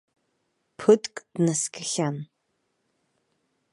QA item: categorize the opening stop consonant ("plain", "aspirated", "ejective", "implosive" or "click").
aspirated